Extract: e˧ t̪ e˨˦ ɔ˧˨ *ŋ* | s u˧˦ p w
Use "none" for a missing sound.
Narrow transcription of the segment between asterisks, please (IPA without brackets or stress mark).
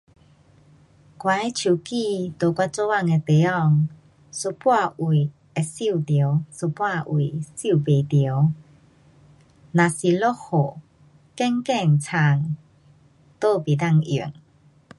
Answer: ŋ